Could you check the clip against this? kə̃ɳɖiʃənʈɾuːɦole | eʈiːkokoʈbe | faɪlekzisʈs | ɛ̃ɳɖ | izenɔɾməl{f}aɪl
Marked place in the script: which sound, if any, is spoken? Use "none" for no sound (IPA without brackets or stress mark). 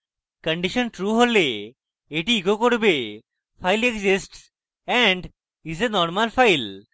f